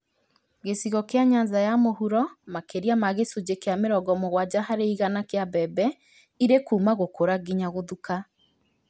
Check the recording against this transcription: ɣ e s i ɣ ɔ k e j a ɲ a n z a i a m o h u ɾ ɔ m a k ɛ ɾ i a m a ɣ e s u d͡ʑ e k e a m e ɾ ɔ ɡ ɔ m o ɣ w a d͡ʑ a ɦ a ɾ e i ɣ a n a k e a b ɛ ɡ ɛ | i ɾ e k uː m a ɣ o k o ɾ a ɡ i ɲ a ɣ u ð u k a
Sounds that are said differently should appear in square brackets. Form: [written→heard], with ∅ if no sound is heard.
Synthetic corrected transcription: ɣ e s i ɣ ɔ k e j a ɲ a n z a [i→j] a m o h u ɾ ɔ m a k [ɛ→e] ɾ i a m a ɣ e s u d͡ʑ e k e a m e ɾ ɔ ɡ ɔ m o ɣ w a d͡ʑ a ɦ a ɾ e i ɣ a n a k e a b ɛ [ɡ→b] ɛ | i ɾ e k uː m a ɣ o k o ɾ a ɡ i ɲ a ɣ [u→o] ð u k a